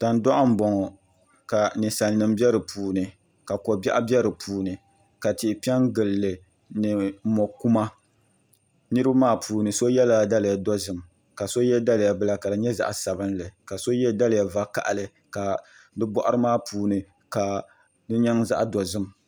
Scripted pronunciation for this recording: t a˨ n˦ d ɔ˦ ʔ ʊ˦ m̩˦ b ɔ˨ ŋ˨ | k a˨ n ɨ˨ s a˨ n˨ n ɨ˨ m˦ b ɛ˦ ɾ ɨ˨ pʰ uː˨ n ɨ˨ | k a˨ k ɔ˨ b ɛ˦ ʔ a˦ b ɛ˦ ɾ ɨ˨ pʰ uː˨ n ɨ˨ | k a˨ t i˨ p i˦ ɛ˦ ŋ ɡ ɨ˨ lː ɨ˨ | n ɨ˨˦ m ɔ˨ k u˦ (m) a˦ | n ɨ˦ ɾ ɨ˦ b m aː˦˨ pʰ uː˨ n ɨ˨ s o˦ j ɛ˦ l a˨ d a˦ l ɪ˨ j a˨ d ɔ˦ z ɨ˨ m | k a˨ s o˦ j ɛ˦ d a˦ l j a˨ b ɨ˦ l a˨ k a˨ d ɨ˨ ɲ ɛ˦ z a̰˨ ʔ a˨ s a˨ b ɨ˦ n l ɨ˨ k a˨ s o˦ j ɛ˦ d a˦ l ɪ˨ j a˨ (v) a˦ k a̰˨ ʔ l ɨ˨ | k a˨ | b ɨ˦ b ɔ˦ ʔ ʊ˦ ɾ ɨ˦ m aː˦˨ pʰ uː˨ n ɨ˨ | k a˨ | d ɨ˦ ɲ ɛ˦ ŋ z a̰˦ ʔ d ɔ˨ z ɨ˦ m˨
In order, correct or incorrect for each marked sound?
correct, correct

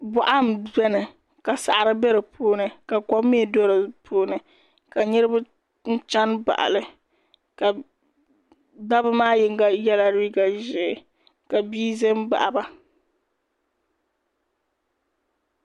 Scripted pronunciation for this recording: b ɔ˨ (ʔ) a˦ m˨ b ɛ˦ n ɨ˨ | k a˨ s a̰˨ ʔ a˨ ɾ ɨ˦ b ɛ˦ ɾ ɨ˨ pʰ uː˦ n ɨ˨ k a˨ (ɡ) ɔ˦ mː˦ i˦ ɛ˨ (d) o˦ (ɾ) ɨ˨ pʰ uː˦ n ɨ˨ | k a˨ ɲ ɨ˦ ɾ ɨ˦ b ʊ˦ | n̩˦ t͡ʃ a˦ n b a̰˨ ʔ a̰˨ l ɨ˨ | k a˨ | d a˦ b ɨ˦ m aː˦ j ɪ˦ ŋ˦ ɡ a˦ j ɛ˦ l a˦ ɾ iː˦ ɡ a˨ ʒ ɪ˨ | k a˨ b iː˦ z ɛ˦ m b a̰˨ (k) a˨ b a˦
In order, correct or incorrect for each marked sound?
correct, incorrect: k, correct, correct, incorrect: ʔ

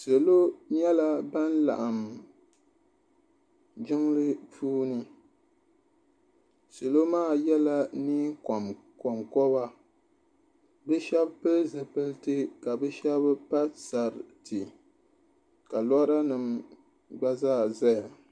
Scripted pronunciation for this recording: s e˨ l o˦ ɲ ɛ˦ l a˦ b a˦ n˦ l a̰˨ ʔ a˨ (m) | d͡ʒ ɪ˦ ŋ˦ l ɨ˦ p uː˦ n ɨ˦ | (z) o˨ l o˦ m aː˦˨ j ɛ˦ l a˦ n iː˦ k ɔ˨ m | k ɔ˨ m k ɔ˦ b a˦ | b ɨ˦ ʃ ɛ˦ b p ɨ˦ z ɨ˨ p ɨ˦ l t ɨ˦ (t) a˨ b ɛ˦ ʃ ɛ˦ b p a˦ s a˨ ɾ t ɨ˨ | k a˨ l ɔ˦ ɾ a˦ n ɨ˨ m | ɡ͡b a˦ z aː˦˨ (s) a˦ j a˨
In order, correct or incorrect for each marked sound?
correct, incorrect: s, incorrect: k, incorrect: z

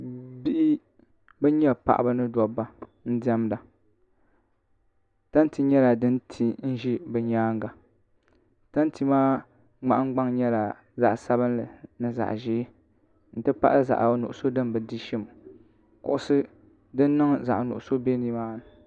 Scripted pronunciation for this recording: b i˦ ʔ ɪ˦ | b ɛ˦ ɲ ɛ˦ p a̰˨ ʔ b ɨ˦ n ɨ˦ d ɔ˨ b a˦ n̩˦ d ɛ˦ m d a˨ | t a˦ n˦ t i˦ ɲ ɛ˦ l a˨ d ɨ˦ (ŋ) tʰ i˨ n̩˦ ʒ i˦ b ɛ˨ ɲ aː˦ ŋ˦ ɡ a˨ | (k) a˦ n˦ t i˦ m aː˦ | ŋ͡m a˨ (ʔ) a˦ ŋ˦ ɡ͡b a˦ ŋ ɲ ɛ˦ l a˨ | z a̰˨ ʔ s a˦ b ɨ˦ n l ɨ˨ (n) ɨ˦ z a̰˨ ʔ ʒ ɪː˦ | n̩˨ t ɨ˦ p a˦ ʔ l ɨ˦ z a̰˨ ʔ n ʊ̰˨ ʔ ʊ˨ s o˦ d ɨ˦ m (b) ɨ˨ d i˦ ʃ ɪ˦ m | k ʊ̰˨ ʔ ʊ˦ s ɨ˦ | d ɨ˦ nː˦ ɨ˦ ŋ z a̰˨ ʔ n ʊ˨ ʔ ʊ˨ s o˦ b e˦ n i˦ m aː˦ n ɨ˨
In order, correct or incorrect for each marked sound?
incorrect: n, incorrect: t, correct, correct, correct

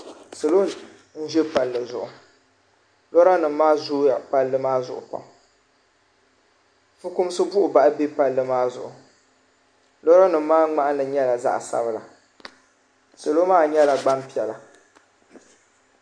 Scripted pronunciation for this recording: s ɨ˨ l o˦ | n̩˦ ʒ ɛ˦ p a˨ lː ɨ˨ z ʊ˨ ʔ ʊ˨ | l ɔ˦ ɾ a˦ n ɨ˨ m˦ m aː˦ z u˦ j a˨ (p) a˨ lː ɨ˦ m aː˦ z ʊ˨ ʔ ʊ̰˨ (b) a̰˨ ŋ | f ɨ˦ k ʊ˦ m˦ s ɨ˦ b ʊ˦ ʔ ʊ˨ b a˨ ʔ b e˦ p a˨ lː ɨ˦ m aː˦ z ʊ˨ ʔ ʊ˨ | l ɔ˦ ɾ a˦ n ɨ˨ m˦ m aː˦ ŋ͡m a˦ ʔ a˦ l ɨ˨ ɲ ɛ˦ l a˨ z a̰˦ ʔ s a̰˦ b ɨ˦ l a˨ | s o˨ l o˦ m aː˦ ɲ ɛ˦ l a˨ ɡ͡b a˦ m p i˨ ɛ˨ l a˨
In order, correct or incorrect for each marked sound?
correct, incorrect: p

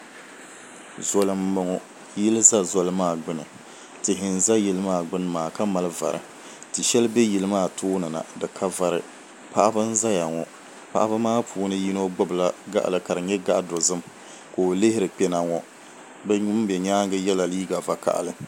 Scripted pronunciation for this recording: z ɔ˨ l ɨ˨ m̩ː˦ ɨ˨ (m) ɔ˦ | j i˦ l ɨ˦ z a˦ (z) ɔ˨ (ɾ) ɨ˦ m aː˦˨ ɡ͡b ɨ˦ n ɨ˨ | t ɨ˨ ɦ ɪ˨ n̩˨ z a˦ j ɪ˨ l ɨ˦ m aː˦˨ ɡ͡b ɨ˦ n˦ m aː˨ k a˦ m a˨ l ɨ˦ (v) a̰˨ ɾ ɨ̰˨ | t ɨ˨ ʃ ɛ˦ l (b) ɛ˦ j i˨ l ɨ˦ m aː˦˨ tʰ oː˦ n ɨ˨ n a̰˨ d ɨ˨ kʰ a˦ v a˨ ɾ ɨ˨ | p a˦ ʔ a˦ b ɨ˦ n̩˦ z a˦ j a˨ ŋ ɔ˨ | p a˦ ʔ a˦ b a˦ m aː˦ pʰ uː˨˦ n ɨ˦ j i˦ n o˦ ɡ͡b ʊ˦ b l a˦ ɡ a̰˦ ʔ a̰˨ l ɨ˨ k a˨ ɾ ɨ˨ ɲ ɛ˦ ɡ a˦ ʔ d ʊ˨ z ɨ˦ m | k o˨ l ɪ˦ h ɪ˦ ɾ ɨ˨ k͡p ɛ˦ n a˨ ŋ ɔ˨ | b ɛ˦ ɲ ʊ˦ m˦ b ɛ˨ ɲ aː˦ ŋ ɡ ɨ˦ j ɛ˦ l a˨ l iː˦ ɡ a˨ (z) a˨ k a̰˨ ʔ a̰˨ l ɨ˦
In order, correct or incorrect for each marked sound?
incorrect: ŋ, correct, incorrect: l, correct, correct, incorrect: v

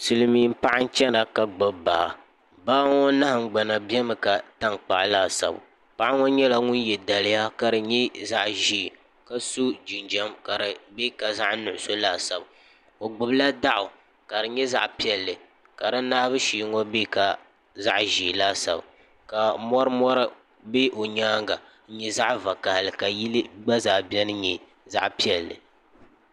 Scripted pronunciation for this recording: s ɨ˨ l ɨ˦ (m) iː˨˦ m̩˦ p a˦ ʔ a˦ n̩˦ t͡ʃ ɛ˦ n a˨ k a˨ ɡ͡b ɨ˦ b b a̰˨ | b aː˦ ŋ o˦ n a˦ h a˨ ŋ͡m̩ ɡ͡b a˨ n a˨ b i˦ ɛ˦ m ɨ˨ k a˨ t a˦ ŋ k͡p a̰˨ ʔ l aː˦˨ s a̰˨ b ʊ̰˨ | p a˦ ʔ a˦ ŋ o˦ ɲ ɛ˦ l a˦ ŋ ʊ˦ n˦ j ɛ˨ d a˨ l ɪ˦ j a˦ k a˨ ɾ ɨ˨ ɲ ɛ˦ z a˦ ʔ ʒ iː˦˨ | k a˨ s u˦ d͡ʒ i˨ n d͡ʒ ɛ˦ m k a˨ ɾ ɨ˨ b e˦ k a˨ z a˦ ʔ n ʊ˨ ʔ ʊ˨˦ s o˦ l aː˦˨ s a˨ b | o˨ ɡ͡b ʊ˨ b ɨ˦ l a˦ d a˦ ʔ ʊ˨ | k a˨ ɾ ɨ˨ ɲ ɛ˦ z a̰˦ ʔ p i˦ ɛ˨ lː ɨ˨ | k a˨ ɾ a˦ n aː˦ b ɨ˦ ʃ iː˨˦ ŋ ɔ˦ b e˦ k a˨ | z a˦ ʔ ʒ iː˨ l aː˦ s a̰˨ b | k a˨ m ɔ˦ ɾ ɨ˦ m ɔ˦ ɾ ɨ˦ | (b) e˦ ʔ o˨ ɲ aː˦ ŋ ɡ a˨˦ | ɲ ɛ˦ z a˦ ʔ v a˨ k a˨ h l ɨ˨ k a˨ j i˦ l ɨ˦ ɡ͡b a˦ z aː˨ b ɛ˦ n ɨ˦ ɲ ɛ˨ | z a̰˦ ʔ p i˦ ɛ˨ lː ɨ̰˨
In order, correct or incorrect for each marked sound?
correct, correct

